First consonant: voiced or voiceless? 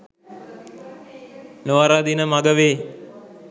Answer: voiced